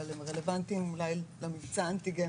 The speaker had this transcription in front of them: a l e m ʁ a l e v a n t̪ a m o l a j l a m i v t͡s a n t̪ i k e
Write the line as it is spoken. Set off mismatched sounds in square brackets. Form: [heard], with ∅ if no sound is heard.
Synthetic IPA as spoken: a l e m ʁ [e] l e v a n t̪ [i] m [u] l a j l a m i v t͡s a n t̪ i [ɡ] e